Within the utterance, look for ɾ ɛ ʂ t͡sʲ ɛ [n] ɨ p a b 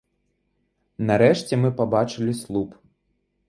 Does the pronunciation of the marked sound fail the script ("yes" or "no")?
yes